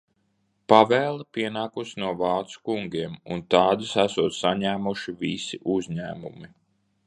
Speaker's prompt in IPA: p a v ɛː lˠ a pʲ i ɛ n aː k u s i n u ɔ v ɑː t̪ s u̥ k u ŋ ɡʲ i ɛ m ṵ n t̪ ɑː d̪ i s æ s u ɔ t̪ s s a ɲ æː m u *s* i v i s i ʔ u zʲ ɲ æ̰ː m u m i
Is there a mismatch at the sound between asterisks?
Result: yes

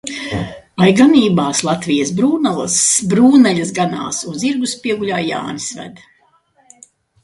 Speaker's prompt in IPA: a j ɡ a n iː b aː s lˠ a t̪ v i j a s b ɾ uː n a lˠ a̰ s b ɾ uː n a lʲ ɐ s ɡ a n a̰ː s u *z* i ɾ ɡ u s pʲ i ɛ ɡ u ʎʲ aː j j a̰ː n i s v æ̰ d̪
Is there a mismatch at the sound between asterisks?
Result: no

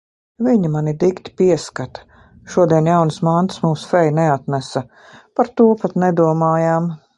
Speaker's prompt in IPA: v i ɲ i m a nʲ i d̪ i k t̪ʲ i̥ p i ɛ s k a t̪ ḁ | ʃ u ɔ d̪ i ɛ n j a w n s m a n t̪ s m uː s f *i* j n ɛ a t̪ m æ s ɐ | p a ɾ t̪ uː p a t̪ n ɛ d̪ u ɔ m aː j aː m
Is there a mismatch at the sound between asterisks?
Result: yes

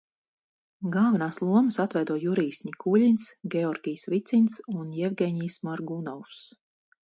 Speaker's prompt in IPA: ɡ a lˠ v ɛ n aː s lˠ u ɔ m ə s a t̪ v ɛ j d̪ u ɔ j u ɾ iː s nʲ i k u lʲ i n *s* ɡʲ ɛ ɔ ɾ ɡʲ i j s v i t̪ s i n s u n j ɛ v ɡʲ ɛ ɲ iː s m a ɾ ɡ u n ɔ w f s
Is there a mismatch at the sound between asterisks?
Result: no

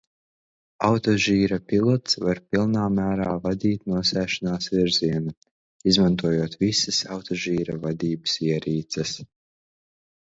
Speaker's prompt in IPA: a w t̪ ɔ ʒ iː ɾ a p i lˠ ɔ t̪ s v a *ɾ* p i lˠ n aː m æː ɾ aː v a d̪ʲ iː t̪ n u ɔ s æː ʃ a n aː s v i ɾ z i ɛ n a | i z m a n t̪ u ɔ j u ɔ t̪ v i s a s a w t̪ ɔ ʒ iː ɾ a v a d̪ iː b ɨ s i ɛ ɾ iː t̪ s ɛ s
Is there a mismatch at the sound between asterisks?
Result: no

